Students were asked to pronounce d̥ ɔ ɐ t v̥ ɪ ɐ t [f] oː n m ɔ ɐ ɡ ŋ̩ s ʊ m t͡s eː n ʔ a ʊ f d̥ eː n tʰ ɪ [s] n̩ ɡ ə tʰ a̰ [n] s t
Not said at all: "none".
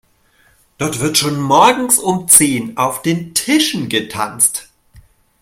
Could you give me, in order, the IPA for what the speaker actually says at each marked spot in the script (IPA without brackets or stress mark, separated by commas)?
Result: ʃ, ʃ, n